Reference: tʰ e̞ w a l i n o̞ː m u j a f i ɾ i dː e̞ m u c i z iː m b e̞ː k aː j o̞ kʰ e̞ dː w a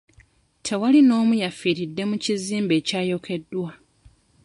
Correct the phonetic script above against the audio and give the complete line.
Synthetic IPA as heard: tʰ e̞ w a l i n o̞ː m u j a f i ɾ i dː e̞ m u c i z iː m b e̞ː c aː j o̞ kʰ e̞ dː w a

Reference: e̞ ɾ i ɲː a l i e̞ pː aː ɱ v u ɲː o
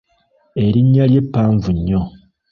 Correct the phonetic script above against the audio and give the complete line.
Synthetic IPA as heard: e̞ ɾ i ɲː a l j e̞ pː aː ɱ v u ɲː o

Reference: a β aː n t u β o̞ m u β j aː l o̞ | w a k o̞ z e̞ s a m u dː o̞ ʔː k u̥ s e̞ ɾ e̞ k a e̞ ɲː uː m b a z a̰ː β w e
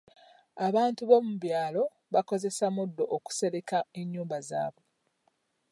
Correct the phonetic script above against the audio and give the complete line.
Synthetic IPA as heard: a β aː n t u β o̞ m u β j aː l o̞ | β a k o̞ z e̞ s a m u dː o̞ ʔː k u̥ s e̞ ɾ e̞ k a e̞ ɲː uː m b a z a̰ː β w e

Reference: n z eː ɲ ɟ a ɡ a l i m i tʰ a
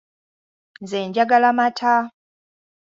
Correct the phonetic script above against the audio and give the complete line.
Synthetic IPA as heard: n z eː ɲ ɟ a ɡ a l a m a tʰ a

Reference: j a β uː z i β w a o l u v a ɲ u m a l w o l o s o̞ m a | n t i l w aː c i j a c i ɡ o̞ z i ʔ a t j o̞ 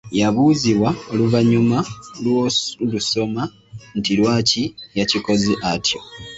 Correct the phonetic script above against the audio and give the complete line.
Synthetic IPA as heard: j a β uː z i β w a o l u v a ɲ u m a l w o l u s o̞ m a | n t i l w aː c i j a c i k o̞ z i ʔ a t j o̞

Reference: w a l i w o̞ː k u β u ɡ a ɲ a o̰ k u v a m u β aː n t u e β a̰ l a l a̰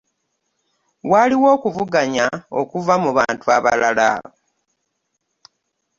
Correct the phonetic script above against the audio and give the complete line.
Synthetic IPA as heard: w a l i w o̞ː k u v u ɡ a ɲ a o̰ k u v a m u β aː n t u a β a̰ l a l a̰

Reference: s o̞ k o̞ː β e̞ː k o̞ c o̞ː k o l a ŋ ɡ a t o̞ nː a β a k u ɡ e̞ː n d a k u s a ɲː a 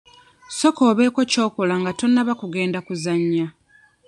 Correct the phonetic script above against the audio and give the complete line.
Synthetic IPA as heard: s o̞ k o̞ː β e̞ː k o̞ c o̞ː k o l a ŋ ɡ a t o̞ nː a β a k u ɡ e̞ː n d a k u z a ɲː a

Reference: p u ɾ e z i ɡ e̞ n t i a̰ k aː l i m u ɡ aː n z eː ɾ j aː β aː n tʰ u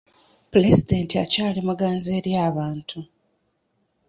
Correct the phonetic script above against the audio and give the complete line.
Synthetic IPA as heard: p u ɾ e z i d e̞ n t i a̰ c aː l i m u ɡ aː n z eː ɾ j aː β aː n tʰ u

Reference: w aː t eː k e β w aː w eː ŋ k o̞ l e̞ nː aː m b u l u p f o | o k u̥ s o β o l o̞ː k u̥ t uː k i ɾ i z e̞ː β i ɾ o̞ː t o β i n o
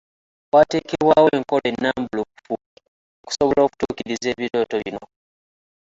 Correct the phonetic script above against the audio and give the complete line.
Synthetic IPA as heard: w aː t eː k e β w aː w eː ŋ k o̞ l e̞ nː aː m b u l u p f u | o k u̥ s o β o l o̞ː k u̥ t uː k i ɾ i z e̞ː β i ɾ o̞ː t o β i n o

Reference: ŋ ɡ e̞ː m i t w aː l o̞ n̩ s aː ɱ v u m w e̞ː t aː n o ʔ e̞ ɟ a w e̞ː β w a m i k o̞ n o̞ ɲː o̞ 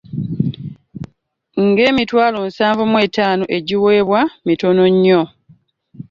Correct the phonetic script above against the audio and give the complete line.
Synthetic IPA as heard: ŋ ɡ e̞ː m i t w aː l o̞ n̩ s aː ɱ v u m w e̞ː t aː n o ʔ e̞ ɟ i w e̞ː β w a m i t o̞ n o̞ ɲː o̞

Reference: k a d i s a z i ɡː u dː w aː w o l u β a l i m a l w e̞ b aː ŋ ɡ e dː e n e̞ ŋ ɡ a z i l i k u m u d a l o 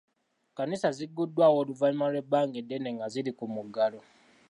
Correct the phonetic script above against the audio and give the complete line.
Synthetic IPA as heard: k a n i s a z i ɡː u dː w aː w o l u v a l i m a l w e̞ b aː ŋ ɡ e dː e n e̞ ŋ ɡ a z i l i k u m u ɡ a l o

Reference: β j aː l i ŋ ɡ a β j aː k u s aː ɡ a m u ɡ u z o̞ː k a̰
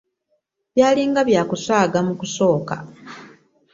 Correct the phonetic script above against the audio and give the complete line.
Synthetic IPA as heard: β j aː l i ŋ ɡ a β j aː k u s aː ɡ a m u k u s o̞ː k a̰

